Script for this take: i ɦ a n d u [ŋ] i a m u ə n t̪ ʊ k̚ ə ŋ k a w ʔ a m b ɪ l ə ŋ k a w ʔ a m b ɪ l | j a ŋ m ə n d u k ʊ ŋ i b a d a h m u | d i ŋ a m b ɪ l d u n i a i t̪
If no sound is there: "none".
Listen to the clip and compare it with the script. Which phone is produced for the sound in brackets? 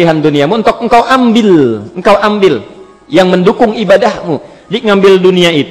n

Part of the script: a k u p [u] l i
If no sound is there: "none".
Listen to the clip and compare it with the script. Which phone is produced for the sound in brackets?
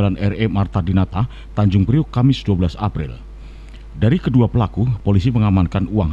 o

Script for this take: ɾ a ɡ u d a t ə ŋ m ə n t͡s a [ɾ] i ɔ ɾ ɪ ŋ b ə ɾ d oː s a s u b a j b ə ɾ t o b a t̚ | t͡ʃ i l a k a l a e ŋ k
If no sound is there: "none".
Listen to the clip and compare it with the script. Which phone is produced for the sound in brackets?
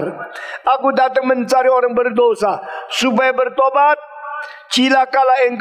ɾ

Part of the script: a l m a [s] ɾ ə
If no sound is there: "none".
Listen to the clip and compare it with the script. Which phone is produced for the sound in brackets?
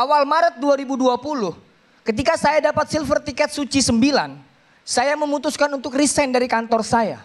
none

